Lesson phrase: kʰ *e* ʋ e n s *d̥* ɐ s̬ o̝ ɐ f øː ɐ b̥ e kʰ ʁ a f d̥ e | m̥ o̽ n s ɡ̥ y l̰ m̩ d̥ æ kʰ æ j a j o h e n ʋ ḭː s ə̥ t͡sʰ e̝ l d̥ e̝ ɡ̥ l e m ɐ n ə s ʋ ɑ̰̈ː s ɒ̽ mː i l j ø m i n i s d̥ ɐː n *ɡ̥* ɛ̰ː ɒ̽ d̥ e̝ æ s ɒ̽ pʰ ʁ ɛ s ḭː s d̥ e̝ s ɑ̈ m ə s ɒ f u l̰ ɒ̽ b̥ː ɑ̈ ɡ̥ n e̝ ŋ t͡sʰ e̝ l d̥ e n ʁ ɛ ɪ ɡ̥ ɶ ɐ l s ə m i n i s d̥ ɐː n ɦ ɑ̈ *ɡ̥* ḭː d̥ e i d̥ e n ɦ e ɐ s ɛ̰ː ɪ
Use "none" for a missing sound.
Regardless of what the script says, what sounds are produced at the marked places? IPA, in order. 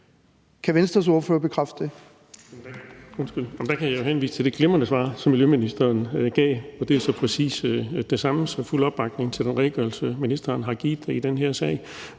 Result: æ, d̥, ɡ̥, ɡ̥

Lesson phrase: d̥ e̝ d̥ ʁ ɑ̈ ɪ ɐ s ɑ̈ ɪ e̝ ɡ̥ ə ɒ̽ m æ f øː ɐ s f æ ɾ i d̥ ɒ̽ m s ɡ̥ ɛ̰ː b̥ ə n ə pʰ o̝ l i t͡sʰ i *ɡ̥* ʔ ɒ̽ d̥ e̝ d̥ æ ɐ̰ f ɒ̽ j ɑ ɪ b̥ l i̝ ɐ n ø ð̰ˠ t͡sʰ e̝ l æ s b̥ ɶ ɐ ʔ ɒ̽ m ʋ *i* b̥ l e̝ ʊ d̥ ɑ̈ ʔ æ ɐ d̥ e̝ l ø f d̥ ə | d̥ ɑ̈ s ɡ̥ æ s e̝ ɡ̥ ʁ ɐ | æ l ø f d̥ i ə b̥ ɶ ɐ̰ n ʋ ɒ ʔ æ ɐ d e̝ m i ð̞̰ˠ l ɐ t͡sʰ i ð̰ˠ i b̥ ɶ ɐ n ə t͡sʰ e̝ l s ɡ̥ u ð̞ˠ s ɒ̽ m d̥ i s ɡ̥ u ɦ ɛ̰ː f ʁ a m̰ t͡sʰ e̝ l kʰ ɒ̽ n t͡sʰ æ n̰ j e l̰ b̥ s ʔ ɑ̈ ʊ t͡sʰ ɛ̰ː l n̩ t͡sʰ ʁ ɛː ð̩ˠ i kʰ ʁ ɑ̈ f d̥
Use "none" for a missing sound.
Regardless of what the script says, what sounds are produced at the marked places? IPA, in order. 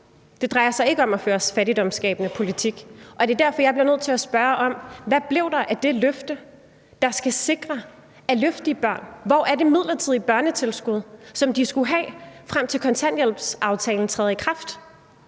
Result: ɡ̥, æ

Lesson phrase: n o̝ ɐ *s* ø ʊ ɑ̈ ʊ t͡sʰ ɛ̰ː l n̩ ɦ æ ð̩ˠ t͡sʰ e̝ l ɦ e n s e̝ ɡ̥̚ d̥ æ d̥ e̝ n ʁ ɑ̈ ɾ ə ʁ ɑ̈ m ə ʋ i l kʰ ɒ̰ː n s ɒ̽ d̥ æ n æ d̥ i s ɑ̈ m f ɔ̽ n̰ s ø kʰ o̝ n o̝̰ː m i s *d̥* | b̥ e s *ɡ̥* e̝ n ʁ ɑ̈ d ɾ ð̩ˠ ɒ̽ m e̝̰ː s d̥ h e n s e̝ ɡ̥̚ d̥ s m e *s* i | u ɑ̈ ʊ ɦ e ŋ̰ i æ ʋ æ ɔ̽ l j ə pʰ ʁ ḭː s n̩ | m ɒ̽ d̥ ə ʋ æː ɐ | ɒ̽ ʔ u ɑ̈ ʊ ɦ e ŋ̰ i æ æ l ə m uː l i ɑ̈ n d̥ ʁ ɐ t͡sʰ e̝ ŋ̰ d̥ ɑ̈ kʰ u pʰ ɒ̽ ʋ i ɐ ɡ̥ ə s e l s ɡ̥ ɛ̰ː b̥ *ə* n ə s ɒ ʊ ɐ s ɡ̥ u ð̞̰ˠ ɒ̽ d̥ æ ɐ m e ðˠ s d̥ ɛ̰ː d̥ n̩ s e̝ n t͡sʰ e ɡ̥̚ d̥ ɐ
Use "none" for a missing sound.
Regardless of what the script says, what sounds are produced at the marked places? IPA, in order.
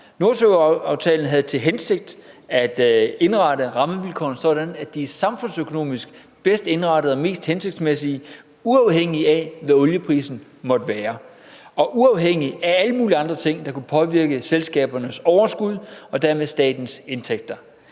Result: s, ɡ̥, d̥, s, ɐ

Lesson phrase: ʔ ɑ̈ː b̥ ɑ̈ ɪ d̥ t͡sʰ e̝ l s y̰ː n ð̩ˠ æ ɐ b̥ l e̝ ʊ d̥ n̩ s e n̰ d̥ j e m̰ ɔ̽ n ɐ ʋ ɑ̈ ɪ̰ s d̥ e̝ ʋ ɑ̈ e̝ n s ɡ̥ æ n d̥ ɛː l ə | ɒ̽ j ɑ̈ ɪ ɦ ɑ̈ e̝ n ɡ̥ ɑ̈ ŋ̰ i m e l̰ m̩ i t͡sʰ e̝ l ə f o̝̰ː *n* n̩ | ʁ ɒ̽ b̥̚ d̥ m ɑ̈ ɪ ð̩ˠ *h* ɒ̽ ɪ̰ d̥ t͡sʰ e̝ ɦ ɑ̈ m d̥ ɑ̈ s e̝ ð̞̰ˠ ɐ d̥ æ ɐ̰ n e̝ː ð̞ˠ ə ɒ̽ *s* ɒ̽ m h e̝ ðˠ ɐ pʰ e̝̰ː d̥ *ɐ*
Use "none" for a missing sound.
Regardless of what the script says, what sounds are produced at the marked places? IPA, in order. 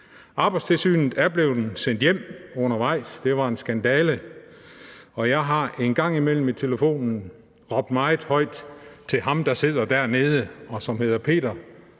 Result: n, h, s, ɐ

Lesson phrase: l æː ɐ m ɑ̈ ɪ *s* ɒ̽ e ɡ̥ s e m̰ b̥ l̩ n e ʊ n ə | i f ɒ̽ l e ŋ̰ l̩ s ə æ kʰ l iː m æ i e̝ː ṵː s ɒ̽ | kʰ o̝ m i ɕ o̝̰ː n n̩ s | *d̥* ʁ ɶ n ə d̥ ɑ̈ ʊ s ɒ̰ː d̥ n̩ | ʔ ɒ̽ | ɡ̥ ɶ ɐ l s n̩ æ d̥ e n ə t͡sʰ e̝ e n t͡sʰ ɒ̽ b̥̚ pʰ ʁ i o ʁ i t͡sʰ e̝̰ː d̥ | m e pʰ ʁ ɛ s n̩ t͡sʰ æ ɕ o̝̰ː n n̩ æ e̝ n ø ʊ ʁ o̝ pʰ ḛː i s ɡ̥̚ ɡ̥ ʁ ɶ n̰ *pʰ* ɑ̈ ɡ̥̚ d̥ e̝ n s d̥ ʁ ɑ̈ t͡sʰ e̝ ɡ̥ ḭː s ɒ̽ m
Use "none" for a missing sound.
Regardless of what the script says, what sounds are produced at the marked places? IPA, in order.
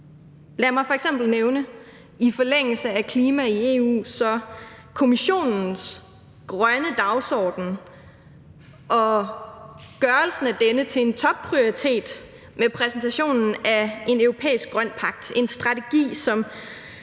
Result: f, ɡ̥, pʰ

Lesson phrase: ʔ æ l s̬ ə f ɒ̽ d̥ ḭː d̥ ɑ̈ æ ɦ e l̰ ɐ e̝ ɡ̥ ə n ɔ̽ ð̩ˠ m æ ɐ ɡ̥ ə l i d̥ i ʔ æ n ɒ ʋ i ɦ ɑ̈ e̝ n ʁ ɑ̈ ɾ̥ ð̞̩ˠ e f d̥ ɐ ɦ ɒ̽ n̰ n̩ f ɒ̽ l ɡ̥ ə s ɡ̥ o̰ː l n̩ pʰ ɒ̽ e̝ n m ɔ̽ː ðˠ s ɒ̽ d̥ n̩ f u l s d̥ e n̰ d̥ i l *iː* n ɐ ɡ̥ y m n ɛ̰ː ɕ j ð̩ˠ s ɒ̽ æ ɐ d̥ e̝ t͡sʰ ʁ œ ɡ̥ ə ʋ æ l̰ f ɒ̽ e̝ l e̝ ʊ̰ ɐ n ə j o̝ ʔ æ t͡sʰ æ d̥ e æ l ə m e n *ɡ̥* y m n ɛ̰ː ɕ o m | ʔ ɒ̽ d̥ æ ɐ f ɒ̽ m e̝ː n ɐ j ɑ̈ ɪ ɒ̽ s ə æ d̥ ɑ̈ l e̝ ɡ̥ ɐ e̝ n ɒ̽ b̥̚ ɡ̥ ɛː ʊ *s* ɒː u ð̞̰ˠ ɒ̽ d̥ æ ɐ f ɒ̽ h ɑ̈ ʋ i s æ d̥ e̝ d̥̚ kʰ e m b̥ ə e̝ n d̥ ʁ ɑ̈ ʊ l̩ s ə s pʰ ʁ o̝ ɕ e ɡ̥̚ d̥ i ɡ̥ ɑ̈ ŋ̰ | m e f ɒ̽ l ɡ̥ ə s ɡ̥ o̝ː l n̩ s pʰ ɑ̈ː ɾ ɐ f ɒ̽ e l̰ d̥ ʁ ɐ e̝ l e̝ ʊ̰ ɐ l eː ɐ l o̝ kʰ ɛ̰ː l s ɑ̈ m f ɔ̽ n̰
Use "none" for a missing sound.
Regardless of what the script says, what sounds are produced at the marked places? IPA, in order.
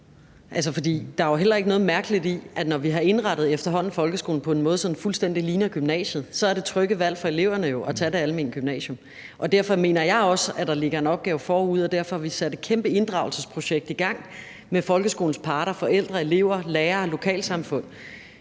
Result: iː, ɡ̥, f

